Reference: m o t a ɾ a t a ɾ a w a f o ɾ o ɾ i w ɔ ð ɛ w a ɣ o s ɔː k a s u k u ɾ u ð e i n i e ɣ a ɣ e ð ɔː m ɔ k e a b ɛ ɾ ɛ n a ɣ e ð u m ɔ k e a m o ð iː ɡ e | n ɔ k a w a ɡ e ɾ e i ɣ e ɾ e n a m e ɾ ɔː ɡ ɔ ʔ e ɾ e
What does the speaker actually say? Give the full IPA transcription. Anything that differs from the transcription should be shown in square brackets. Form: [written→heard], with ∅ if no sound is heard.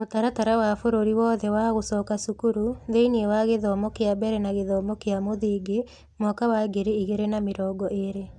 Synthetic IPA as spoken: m o t a ɾ a t a ɾ a w a f o ɾ o ɾ i w ɔ ð ɛ w a ɣ o s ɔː k a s u k u ɾ u ð e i n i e [ɣ→w] a ɣ e ð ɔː m ɔ k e a b ɛ ɾ ɛ n a ɣ e ð [u→ɔ] m ɔ k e a m o ð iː ɡ e | [n→m] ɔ k a w a ɡ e ɾ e i ɣ e ɾ e n a m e ɾ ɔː ɡ ɔ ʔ e ɾ e